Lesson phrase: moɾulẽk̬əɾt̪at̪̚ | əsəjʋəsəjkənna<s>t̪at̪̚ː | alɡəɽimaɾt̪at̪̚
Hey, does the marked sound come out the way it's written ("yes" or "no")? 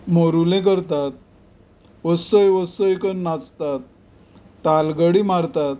no